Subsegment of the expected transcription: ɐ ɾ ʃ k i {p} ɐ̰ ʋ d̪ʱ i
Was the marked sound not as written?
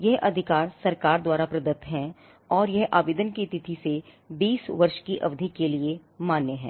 yes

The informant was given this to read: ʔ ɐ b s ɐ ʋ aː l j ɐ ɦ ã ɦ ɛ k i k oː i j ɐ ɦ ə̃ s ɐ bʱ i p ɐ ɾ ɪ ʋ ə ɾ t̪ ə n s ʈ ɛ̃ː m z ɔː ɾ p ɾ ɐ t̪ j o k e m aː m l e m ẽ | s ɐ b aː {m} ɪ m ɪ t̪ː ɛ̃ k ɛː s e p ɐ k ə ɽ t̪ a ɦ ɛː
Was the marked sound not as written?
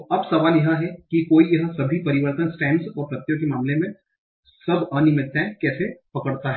yes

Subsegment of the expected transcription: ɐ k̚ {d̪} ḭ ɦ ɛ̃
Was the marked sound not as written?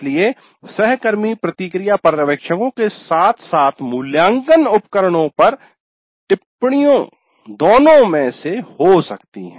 yes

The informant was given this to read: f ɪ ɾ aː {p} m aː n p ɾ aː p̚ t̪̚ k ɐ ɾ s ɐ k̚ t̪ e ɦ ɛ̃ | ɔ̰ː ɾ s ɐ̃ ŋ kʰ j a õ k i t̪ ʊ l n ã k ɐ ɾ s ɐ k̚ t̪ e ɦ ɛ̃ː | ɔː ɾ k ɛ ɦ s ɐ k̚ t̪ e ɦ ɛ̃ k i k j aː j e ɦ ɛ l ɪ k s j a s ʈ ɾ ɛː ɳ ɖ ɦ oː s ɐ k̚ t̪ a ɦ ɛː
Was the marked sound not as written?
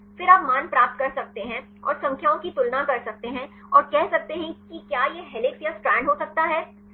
no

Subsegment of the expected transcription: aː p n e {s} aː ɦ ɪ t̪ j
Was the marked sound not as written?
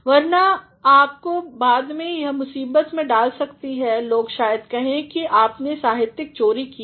no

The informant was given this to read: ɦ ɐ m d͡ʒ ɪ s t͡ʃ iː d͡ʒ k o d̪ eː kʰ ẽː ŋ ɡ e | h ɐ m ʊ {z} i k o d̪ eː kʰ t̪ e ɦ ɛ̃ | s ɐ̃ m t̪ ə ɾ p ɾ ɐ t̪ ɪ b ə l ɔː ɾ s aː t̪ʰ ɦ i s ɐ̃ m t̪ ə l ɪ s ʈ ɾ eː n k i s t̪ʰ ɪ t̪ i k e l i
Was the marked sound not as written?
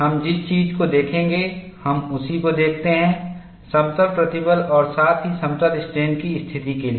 yes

